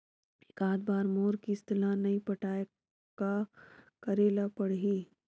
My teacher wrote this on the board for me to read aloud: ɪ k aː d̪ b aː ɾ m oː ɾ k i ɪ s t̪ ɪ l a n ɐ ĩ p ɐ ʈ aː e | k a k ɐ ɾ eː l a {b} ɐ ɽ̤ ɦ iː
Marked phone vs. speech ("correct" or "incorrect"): incorrect